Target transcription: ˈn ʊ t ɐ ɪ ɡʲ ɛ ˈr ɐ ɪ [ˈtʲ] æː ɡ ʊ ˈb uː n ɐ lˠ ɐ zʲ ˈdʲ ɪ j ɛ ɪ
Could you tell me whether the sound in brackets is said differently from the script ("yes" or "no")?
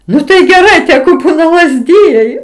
no